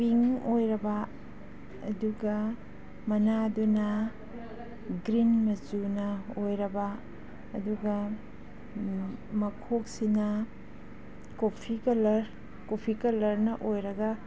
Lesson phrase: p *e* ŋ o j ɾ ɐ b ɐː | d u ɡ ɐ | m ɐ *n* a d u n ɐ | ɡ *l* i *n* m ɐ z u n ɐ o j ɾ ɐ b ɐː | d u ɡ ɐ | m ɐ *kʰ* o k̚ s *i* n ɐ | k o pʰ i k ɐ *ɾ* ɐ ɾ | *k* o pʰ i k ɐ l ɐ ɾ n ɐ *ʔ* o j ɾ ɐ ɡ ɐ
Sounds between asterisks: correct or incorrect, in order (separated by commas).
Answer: incorrect, correct, incorrect, correct, correct, correct, incorrect, correct, correct